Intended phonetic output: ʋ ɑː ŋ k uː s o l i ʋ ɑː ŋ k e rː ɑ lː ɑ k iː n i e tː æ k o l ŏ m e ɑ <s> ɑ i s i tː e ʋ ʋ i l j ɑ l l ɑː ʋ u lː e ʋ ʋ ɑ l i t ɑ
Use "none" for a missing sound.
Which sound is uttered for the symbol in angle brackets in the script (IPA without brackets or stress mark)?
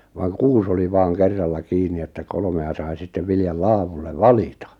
s